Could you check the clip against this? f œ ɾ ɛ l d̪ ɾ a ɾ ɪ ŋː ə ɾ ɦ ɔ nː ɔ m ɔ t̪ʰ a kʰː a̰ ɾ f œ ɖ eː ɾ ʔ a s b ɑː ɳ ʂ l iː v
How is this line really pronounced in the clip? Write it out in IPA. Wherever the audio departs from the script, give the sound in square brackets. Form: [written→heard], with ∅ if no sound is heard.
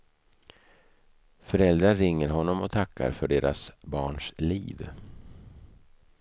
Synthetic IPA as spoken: f œ ɾ ɛ l d̪ ɾ a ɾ ɪ ŋː ə ɾ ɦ ɔ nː ɔ m ɔ t̪ʰ a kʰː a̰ ɾ f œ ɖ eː ɾ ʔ a s b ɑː ɳ ʂ l iː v